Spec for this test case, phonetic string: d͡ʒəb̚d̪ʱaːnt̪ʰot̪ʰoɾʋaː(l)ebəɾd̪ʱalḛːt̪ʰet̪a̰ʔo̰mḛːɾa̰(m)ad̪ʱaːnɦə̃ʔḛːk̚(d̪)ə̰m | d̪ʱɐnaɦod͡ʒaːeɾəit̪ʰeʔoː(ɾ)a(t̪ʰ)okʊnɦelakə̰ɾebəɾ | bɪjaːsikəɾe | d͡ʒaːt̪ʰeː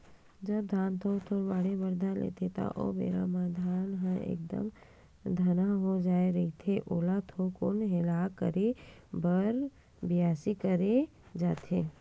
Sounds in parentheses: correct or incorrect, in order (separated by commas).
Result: incorrect, correct, correct, incorrect, correct